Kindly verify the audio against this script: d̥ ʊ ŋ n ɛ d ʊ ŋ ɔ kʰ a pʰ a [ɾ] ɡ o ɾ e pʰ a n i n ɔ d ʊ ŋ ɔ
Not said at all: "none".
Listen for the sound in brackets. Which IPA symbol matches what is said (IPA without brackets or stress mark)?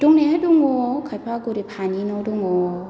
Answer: none